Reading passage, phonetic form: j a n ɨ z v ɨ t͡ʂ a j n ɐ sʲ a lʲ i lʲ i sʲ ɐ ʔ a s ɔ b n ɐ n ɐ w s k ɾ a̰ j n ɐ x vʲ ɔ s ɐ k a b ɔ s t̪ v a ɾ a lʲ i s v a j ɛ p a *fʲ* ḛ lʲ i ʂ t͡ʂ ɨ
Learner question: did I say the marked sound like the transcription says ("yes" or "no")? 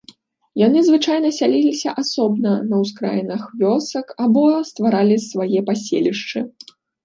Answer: no